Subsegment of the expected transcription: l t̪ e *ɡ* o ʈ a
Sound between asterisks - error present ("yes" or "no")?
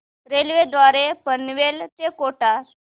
yes